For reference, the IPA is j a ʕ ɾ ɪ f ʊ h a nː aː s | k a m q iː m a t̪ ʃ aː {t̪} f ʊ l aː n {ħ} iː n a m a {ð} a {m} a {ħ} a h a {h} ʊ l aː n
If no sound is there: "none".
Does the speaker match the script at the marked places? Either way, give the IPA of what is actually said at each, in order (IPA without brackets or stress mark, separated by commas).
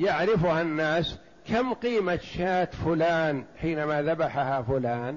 t̪, ħ, ð, b, ħ, f